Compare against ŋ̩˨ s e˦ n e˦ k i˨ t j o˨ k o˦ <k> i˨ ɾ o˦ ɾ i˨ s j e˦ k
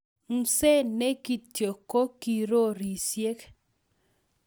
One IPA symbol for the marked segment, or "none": k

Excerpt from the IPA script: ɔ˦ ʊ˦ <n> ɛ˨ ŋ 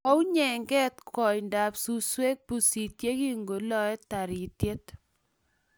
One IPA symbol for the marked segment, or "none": ɲ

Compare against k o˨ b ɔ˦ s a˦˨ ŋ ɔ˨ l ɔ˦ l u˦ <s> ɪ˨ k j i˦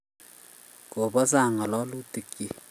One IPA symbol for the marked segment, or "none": t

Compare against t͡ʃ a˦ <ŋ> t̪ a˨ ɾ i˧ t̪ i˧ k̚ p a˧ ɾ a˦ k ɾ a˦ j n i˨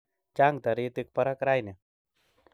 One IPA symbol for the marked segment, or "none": ŋ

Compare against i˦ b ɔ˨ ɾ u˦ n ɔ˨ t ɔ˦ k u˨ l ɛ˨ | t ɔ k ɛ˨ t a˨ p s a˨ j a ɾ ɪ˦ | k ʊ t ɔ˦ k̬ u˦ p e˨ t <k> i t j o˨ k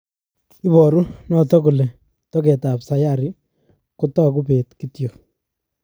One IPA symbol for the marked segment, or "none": k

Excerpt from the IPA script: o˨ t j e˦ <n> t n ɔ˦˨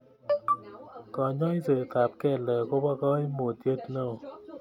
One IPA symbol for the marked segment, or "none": none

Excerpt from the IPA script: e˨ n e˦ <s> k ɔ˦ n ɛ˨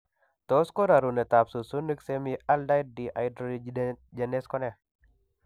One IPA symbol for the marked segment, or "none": s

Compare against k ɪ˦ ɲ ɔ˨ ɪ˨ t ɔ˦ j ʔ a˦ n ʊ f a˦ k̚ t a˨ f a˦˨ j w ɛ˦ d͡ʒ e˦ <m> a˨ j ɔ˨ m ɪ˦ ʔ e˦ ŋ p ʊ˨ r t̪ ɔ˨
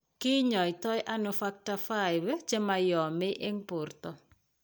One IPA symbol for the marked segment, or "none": m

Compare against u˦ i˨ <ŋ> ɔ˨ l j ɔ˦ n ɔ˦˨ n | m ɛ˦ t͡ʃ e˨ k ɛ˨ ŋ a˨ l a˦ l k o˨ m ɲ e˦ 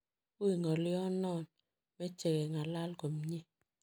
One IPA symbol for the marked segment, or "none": ŋ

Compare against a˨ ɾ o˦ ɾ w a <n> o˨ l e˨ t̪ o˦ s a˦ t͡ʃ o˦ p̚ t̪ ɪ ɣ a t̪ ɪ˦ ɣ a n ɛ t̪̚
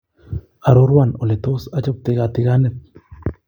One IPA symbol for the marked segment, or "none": n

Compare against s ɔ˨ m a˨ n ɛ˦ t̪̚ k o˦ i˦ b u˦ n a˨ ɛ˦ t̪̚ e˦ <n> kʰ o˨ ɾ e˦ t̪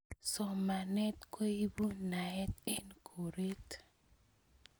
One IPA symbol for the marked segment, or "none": n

